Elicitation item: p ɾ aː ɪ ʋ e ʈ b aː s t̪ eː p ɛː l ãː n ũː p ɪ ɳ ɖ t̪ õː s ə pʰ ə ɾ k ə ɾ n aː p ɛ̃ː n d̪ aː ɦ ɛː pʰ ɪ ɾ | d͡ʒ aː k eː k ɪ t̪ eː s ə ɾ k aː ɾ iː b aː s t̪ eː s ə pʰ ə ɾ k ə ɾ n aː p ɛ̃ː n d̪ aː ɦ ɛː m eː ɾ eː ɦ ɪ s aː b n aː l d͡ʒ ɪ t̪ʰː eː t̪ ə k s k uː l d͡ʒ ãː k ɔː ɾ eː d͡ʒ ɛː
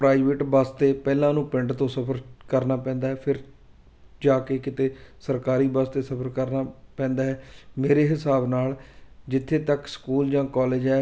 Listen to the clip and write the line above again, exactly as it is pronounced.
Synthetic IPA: p ɾ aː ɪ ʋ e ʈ b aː s t̪ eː p ɛː l ãː n ũː p ɪ ɳ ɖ t̪ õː s ə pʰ ə ɾ k ə ɾ n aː p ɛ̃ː n d̪ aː ɦ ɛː pʰ ɪ ɾ | d͡ʒ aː k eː k ɪ t̪ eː s ə ɾ k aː ɾ iː b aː s t̪ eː s ə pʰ ə ɾ k ə ɾ n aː p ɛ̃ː n d̪ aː ɦ ɛː m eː ɾ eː ɦ ɪ s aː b n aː l d͡ʒ ɪ t̪ʰː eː t̪ ə k s k uː l d͡ʒ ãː k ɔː l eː d͡ʒ ɛː